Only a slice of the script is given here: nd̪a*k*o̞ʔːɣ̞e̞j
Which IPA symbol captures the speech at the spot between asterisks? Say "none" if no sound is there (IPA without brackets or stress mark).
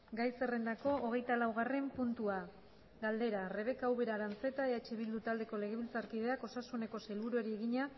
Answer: k